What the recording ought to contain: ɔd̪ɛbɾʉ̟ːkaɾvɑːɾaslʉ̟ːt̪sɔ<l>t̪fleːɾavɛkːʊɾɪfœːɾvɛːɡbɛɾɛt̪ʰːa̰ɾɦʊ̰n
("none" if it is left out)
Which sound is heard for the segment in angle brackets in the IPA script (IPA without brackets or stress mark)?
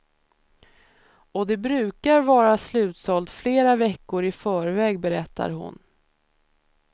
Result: l